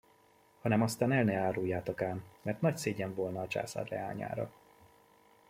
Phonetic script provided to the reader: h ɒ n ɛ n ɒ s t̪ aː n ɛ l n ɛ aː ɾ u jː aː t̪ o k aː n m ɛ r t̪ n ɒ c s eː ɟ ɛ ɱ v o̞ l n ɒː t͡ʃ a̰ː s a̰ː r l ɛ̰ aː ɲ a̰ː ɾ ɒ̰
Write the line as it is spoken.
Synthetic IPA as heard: h ɒ n ɛ m ɒ s t̪ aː n ɛ l n ɛ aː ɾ u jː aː t̪ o k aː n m ɛ r t̪ n ɒ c s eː ɟ ɛ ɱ v o̞ l n ɒː t͡ʃ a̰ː s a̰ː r l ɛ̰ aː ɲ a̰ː ɾ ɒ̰